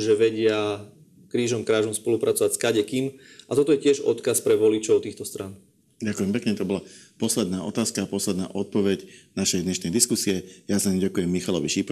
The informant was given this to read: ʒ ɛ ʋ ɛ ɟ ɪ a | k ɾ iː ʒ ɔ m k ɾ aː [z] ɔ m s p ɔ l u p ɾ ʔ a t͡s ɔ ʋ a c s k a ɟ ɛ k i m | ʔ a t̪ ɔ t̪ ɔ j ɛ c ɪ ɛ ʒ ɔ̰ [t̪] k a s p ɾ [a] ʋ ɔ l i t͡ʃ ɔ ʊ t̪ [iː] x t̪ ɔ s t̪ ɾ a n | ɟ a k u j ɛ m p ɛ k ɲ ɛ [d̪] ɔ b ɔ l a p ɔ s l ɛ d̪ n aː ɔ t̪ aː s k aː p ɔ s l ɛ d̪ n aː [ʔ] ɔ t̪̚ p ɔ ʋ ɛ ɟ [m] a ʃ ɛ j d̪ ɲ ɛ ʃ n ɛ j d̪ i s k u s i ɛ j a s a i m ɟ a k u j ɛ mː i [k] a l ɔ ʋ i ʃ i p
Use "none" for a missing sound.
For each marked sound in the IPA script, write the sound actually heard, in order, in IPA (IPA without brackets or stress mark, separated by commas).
ʒ, t̪, ɛ, iː, t̪, ʔ, n, x